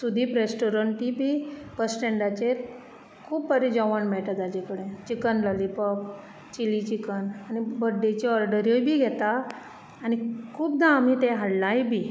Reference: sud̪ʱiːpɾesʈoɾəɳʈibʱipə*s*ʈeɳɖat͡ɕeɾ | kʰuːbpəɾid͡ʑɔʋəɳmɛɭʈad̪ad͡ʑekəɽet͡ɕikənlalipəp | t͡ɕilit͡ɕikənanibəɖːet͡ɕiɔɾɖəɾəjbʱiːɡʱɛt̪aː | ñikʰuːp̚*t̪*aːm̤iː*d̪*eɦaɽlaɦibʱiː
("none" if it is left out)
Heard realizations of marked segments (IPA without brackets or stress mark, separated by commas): s, d̪, t̪